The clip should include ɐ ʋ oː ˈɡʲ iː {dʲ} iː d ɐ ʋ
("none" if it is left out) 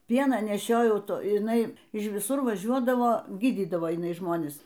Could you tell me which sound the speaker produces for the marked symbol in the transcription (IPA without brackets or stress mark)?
dʲ